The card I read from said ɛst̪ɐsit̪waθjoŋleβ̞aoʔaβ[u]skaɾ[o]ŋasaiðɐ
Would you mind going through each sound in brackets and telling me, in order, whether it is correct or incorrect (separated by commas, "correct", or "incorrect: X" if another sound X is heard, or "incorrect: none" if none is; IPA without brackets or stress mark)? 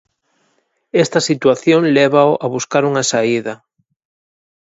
correct, incorrect: u